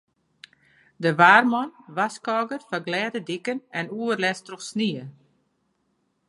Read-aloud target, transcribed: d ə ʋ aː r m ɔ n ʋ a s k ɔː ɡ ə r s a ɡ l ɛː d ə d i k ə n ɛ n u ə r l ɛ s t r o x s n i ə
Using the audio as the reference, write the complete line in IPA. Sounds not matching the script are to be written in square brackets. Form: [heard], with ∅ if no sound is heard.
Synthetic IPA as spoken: d ə ʋ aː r m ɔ n ʋ a s k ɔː ɡ ə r [f] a ɡ l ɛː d ə d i k ə n ɛ n u ə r l ɛ s t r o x s n i ə